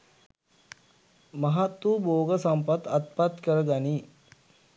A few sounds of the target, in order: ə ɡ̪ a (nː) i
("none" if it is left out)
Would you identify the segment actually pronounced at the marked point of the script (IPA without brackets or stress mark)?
n